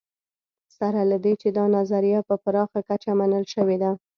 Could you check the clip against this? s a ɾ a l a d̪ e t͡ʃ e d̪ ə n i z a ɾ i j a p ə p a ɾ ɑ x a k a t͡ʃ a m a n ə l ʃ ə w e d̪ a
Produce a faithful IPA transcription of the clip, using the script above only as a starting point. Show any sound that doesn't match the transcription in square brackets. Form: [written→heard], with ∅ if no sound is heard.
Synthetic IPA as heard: s a ɾ a l a d̪ e t͡ʃ e d̪ [ə→ɑ] n [i→a] z a ɾ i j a p ə p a ɾ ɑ x a k a t͡ʃ a m a n ə l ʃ ə w e d̪ a

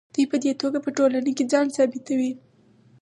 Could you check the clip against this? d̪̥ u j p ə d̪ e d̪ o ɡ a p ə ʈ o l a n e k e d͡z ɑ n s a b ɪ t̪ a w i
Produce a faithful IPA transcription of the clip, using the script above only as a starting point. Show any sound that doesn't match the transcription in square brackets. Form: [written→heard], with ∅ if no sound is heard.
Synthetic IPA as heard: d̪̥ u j p ə d̪ e [d̪→t̪] o ɡ a p ə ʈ o l a n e k e d͡z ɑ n s [a→ɑ] b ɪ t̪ a w i

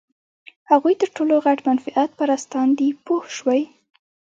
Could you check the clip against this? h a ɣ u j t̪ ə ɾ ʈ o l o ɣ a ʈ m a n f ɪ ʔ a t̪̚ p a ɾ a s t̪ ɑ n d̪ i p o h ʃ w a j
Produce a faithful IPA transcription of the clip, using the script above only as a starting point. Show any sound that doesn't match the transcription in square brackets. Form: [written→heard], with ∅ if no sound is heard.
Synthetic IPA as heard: h a ɣ u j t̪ ə ɾ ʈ o l o ɣ a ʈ m a n f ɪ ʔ a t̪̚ p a ɾ a s t̪ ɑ n d̪ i p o h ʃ w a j

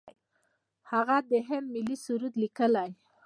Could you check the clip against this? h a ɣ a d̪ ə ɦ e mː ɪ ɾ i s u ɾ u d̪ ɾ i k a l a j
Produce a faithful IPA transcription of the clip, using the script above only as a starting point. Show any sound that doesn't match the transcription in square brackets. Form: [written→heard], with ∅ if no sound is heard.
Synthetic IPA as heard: h a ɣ a d̪ ə ɦ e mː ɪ [ɾ→l] i s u ɾ u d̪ [ɾ→l] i k [a→ə] l a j

